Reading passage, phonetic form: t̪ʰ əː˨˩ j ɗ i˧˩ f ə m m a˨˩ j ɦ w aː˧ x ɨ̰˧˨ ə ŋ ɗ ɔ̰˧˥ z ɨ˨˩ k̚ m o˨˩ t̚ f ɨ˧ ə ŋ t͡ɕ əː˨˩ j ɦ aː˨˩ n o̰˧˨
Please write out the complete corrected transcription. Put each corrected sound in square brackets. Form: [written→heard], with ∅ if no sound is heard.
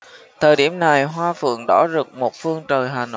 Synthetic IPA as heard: t̪ʰ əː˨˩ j ɗ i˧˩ [f→∅] ə m [m→n] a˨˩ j ɦ w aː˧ [x→f] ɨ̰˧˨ ə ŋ ɗ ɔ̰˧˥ z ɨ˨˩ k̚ m o˨˩ t̚ f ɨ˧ ə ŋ t͡ɕ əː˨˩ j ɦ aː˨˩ n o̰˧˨